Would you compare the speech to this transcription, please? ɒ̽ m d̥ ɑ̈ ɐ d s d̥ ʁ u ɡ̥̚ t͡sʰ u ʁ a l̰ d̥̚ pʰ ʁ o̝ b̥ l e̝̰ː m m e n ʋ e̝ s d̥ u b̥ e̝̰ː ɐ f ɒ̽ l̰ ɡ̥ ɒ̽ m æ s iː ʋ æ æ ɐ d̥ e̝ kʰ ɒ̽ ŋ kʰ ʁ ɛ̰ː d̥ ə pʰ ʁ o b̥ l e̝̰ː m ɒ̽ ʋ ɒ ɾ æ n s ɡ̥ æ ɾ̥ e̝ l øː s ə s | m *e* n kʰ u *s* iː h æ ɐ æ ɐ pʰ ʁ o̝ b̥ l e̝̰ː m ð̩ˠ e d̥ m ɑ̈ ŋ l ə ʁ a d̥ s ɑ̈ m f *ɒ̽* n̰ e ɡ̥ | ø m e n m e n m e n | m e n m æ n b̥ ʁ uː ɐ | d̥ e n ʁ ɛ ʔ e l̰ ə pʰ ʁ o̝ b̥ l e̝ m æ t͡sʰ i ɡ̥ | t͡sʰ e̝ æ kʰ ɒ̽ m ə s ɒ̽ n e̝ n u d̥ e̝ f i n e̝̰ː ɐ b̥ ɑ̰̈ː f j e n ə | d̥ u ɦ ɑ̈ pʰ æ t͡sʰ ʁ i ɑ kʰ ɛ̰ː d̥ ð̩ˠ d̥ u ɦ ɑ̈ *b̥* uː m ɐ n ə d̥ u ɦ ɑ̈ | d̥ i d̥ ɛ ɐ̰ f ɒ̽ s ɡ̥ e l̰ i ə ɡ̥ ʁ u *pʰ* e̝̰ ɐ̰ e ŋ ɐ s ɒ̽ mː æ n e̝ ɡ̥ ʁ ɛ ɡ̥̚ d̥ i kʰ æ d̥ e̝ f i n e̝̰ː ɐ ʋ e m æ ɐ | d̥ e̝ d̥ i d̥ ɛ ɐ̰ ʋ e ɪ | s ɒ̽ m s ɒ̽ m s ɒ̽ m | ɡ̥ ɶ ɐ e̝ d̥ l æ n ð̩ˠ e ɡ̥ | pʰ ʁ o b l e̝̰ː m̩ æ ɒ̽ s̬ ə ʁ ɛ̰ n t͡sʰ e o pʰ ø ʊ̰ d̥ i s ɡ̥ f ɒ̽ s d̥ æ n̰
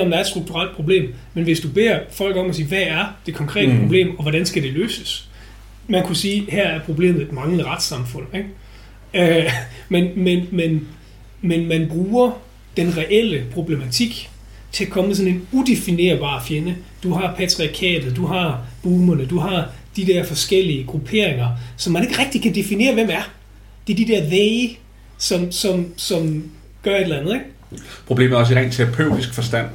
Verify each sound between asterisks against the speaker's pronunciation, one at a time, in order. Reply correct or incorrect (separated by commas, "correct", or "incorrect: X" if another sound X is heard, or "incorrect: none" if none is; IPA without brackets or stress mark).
incorrect: æ, correct, incorrect: ɔ̽, correct, correct